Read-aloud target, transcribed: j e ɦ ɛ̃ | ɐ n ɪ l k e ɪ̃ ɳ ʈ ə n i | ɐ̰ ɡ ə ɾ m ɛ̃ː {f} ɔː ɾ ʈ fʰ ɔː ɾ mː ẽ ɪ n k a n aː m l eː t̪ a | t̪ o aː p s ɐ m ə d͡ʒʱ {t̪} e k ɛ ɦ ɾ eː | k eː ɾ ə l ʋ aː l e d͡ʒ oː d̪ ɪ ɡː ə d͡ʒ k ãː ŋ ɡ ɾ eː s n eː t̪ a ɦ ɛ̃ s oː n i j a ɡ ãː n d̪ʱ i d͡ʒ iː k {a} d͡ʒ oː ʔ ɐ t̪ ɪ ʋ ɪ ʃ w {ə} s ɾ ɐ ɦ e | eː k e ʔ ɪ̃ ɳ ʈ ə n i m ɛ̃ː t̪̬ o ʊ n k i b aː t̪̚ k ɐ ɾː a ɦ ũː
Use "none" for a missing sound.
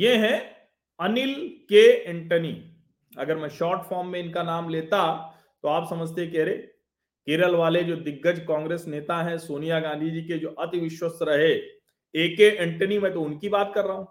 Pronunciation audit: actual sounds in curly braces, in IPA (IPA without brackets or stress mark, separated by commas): ʃ, t̪, e, ə